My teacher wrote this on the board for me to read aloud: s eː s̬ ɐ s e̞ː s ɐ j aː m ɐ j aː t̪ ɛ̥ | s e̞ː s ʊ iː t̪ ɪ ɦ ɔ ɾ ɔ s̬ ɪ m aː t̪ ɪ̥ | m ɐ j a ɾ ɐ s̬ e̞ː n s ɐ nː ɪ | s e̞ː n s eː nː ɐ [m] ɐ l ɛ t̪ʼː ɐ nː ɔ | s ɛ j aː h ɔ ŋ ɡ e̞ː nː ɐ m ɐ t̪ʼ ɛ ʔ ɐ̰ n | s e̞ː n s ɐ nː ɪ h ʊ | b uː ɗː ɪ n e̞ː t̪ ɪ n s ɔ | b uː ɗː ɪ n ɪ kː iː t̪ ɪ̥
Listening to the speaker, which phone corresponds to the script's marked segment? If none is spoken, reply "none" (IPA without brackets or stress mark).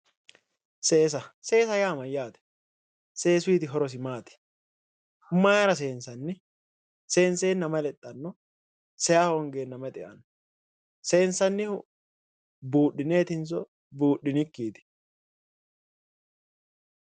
m